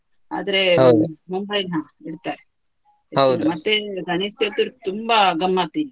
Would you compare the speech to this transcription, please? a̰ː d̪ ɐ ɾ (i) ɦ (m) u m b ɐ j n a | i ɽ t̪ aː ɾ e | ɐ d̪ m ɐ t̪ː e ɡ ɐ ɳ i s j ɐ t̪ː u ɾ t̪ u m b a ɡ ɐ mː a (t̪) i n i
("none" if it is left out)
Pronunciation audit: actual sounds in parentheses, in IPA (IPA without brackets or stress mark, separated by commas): e, m, t̪